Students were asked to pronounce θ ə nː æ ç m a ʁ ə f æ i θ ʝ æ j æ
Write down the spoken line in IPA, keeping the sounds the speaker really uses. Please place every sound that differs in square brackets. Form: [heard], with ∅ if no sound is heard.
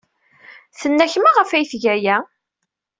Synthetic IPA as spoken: θ ə nː æ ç m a ʁ ə f æ [j] θ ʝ æ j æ